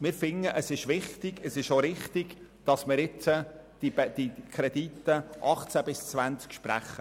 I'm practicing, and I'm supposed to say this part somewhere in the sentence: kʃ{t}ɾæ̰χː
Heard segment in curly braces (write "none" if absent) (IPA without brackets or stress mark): p